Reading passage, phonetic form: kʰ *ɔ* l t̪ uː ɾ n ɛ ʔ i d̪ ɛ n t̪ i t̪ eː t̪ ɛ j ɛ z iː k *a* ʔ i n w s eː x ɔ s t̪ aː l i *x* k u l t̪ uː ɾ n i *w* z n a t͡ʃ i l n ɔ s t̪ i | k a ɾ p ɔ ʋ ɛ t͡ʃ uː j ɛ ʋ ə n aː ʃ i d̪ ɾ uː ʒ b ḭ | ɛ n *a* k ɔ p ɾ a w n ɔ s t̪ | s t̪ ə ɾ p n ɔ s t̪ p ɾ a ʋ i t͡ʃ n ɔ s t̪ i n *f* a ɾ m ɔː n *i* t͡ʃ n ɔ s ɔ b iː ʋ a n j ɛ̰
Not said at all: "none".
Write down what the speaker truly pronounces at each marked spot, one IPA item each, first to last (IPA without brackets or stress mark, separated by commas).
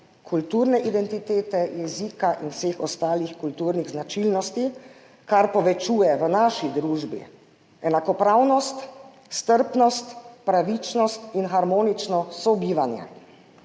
u, a, x, ɣ, a, x, i